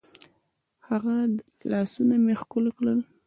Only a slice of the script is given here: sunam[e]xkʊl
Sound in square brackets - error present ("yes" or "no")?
no